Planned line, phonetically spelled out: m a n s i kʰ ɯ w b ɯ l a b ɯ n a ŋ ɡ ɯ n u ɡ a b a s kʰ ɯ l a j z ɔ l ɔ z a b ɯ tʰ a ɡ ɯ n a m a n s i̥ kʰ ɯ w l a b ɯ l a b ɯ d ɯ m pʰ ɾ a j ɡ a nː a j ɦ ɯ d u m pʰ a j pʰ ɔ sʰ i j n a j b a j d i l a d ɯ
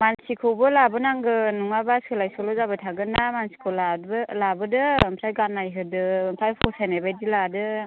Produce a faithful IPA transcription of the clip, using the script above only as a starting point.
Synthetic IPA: m a n s i kʰ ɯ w b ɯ l a b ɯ n a ŋ ɡ ɯ n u ŋ a b a s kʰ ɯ l a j s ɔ l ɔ z a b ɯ tʰ a ɡ ɯ n a m a n s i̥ kʰ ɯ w l a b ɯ l a b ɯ d ɯ m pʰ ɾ a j ɡ a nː a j ɦ ɯ d ɯ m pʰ a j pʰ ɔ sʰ a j n a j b a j d i l a d ɯ